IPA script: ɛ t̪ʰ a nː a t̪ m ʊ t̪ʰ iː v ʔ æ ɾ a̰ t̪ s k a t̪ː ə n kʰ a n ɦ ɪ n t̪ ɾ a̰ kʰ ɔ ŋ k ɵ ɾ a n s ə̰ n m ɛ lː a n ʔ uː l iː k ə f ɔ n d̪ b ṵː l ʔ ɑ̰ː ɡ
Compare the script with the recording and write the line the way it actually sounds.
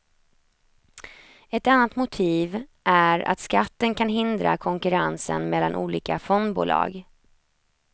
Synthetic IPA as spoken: ɛ t̪ a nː a t̪ m ʊ t̪ʰ iː v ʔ æ ɾ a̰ t̪ s k a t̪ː ə n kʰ a n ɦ ɪ n d̪ ɾ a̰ kʰ ɔ ŋ k ɵ ɾ a n s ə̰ n m ɛ lː a n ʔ uː l iː k a f ɔ n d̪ b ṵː l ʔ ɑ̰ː ɡ